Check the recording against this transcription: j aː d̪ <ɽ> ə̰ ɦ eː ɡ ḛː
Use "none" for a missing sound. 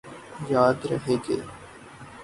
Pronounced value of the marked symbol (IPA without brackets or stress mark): ɾ